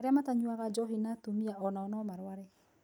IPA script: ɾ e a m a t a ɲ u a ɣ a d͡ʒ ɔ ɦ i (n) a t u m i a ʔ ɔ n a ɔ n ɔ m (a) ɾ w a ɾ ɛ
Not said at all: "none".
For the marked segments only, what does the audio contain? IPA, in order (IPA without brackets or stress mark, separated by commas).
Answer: n, a